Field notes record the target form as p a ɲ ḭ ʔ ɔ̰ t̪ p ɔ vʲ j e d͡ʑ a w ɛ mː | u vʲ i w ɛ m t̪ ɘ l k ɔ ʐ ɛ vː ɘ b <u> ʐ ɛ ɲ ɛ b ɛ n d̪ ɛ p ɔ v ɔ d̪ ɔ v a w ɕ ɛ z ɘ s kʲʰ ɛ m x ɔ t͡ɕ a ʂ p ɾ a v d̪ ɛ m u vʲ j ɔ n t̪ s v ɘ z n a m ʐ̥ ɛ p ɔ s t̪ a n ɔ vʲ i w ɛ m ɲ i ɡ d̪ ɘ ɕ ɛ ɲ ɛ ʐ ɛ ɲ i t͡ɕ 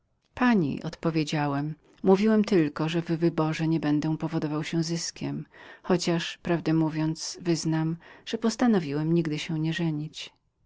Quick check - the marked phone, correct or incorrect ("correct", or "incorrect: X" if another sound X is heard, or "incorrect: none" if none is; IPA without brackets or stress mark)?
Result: incorrect: ɔ